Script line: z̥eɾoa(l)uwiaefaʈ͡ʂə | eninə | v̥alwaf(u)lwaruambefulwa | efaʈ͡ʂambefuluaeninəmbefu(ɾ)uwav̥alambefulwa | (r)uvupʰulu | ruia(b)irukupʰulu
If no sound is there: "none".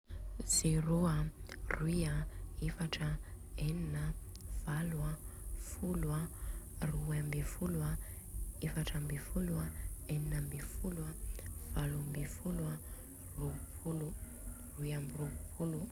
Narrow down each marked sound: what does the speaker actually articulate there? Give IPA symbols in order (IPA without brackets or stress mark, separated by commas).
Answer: r, u, l, r, m